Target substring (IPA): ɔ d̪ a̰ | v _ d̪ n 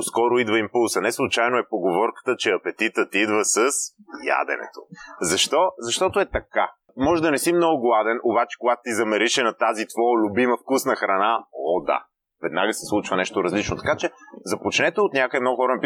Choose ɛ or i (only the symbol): ɛ